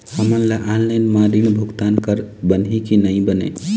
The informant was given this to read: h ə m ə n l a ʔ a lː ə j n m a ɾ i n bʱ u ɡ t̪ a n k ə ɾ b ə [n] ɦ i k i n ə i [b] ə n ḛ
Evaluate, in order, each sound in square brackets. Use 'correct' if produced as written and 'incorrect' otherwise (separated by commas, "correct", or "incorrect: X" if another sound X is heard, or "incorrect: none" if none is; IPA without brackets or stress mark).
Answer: correct, correct